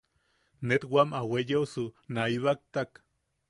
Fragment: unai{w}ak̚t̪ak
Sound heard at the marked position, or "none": β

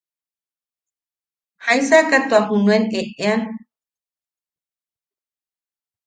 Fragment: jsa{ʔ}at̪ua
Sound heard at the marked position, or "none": k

